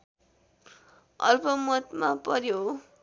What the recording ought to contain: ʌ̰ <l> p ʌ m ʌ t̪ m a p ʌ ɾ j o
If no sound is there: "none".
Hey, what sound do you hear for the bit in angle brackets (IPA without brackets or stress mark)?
l